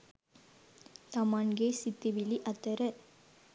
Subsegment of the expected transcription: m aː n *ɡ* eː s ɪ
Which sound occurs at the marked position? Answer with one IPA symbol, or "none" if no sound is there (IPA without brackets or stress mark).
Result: ɡ